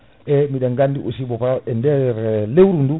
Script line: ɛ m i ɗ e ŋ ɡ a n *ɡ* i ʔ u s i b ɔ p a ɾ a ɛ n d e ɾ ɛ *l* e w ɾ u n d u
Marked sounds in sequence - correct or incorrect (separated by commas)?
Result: incorrect, correct